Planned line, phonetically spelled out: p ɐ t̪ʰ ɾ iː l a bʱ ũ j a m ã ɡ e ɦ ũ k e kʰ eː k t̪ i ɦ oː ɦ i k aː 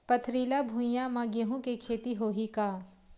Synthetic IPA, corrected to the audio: p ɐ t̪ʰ ɾ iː l a bʱ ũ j a m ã ɡ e ɦ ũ k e kʰ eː t̪ i ɦ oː ɦ i k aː

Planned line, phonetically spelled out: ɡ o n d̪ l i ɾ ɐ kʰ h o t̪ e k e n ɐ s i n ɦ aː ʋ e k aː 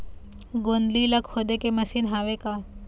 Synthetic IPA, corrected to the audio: ɡ o n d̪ l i l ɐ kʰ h o d̪ e k e m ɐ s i n ɦ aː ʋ e k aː

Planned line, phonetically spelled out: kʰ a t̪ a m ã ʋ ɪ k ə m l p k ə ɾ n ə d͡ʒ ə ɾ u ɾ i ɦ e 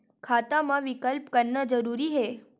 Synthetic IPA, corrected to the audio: kʰ a t̪ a m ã ʋ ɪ k ə l p k ə ɾ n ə d͡ʒ ə ɾ u ɾ i ɦ e

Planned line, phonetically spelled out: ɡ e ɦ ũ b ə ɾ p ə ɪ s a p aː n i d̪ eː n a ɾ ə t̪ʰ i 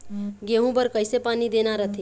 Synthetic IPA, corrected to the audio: ɡ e ɦ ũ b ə ɾ k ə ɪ s e p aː n i d̪ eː n a ɾ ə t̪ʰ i

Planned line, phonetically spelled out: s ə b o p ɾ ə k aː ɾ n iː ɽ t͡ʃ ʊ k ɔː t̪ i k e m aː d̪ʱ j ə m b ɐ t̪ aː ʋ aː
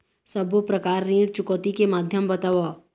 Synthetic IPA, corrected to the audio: s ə b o p ɾ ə k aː ɾ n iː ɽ t͡ʃ ʊ k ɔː t̪ i k e m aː d̪ʱ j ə m b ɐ t̪ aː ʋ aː

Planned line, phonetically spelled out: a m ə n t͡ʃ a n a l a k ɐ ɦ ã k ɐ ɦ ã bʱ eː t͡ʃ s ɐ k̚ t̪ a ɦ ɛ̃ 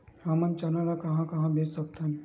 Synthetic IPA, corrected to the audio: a m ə n t͡ʃ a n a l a k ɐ ɦ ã k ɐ ɦ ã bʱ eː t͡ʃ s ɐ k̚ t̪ a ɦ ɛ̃

